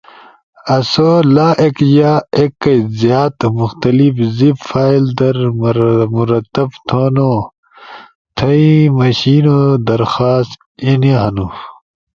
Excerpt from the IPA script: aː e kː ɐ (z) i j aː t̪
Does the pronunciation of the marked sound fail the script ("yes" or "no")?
no